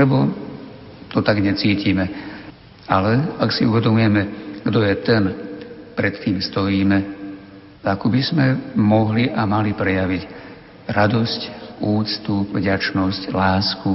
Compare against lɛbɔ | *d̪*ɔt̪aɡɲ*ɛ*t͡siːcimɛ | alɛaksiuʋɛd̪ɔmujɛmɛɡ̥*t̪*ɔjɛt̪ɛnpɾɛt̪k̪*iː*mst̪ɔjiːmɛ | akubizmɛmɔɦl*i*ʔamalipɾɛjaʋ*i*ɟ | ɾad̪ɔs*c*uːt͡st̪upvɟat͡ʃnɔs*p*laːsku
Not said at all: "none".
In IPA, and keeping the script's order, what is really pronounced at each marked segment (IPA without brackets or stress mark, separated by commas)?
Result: t̪, ɛ, d̪, iː, i, i, c, c